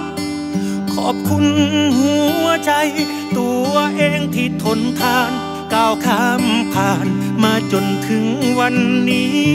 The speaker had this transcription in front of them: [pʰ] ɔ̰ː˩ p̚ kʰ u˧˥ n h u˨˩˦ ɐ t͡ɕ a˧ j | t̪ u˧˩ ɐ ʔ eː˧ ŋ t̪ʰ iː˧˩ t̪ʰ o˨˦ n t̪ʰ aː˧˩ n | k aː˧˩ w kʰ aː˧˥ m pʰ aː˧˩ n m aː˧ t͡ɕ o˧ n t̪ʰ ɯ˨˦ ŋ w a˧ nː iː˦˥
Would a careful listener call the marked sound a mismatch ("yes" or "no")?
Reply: yes